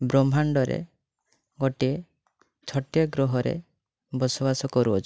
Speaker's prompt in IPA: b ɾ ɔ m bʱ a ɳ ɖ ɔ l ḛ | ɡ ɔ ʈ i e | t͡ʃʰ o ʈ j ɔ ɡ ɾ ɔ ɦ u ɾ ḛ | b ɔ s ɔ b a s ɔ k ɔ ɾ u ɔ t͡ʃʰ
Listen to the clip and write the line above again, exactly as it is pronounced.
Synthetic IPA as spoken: b ɾ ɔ m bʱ a ɳ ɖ ɔ ɾ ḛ | ɡ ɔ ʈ i e | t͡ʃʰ ɔ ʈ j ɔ ɡ ɾ ɔ ɦ ɔ ɾ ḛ | b ɔ s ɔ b a s ɔ k ɔ ɾ u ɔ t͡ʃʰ